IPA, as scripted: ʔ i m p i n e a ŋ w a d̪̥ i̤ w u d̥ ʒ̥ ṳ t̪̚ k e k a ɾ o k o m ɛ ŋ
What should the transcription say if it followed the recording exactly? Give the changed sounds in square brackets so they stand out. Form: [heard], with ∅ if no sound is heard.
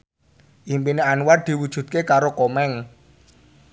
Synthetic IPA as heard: ʔ i m p i n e a [n] w a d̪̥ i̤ w u d̥ ʒ̥ ṳ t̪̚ k e k a ɾ o k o m ɛ ŋ